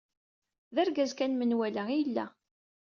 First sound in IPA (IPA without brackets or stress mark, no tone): ð